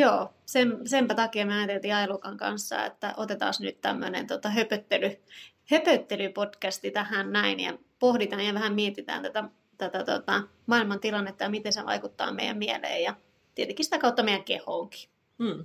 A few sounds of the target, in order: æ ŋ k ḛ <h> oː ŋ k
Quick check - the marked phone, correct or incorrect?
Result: correct